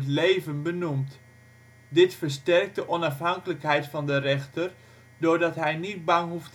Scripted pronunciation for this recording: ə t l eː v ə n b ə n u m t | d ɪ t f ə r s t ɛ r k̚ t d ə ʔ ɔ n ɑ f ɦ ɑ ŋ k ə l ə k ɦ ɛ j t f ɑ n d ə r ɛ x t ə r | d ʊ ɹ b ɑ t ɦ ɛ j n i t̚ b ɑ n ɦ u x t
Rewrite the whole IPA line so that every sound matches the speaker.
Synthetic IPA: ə t l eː v ə n b ə n u m t | d ɪ t f ə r s t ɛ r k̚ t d ə ʔ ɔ n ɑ f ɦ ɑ ŋ k ə l ə k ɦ ɛ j t f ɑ n d ə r ɛ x t ə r | d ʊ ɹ d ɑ t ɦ ɛ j n i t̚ b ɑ ŋ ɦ u f t